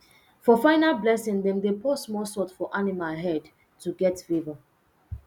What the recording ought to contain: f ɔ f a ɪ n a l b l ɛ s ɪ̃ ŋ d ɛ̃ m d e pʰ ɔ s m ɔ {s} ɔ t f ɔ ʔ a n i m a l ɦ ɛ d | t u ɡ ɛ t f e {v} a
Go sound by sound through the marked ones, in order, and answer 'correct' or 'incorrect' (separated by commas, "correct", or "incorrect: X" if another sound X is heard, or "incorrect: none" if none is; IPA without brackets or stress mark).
correct, correct